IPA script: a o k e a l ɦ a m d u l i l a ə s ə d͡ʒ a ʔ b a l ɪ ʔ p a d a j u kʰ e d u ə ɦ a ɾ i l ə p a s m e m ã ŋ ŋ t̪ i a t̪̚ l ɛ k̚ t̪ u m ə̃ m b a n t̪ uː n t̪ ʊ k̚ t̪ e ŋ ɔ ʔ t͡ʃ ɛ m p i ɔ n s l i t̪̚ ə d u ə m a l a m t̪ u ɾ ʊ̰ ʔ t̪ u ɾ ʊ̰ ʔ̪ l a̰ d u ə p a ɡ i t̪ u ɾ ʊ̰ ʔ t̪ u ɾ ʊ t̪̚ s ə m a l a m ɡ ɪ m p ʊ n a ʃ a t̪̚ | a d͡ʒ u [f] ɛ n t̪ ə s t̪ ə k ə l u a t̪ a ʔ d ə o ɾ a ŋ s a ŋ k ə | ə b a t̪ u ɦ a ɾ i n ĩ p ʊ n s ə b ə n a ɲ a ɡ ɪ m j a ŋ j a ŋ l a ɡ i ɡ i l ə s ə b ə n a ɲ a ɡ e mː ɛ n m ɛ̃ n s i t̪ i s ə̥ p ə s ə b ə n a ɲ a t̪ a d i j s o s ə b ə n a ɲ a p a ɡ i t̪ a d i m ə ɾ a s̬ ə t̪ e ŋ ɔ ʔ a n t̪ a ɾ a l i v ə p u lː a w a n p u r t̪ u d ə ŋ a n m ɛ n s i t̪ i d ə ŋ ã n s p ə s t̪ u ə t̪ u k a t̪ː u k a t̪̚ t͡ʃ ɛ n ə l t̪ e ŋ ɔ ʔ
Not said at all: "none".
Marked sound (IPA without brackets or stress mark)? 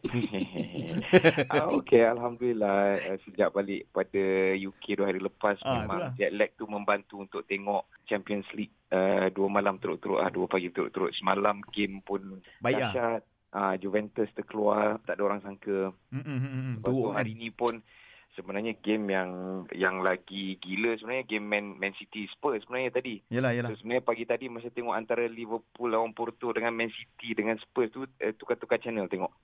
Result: v